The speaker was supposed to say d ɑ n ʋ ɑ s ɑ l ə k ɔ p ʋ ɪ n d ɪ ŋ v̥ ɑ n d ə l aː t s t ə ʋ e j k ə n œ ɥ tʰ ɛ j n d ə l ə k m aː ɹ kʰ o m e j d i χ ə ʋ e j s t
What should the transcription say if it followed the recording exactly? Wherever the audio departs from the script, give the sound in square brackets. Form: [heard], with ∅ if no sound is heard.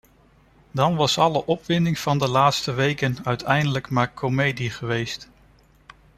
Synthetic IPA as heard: d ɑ n ʋ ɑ s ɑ l ə [ʔ] ɔ p ʋ ɪ n d ɪ ŋ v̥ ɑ n d ə l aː t s t ə ʋ e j k ə n œ ɥ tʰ ɛ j n d ə l ə k m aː ɹ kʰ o m e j d i χ ə ʋ e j s t